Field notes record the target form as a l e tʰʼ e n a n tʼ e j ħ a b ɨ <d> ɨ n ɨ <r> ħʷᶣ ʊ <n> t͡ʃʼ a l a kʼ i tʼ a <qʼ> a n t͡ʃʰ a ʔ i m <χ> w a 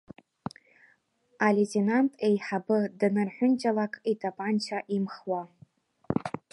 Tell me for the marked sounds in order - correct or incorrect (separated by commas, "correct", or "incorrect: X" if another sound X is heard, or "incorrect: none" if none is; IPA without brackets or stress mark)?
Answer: correct, correct, correct, incorrect: pʼ, correct